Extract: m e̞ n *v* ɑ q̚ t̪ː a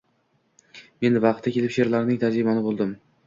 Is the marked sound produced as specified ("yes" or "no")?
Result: yes